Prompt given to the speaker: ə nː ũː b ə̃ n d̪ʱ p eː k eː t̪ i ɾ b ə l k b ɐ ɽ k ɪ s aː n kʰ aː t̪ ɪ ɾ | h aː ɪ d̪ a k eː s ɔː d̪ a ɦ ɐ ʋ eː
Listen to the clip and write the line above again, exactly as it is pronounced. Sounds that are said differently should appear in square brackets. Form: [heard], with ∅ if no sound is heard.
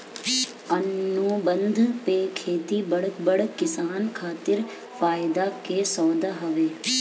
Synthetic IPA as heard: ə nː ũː b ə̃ n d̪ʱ p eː [kʰ] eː t̪ i [∅] b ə [ɽ] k b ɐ ɽ k ɪ s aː n kʰ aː t̪ ɪ ɾ | [f] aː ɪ d̪ a k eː s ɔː d̪ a ɦ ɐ ʋ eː

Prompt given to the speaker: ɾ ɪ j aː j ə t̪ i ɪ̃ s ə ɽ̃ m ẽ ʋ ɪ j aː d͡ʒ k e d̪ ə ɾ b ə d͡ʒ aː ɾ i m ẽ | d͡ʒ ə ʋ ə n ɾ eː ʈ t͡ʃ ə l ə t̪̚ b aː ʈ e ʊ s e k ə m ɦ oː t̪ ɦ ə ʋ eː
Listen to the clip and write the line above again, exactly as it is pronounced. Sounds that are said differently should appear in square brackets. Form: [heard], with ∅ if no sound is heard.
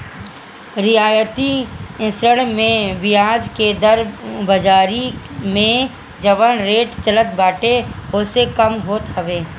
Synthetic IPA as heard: ɾ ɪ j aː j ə t̪ i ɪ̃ s ə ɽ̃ m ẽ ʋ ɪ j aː d͡ʒ k e d̪ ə ɾ b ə d͡ʒ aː ɾ i m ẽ | d͡ʒ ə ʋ ə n ɾ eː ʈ t͡ʃ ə l ə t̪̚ b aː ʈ e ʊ s e k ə m ɦ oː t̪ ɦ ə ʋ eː

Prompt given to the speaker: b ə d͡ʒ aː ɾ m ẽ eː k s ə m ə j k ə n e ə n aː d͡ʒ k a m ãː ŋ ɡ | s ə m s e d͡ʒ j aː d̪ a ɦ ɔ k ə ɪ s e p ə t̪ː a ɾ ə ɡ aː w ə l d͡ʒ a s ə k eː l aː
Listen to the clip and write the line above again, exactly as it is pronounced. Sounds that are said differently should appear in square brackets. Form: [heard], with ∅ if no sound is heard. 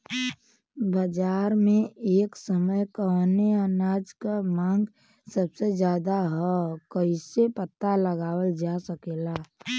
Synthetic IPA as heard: b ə d͡ʒ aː ɾ m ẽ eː k s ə m ə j k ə n e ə n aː d͡ʒ k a m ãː ŋ ɡ | s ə [b] s e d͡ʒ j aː d̪ a ɦ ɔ k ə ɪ s e p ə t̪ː a [l] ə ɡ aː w ə l d͡ʒ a s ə k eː l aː

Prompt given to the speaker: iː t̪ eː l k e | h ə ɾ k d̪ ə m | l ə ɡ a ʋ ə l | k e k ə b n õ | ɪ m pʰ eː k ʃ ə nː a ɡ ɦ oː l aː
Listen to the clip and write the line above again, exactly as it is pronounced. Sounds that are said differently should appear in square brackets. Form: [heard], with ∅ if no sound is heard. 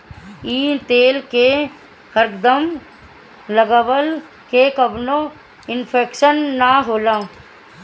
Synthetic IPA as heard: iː t̪ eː l k e | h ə ɾ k d̪ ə m | l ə ɡ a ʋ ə l | k e k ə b n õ | ɪ [n] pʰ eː k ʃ ə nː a [∅] ɦ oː l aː

